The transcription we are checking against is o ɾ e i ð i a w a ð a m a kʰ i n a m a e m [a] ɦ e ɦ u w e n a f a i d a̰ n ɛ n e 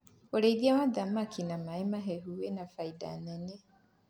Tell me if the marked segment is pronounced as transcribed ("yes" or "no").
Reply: yes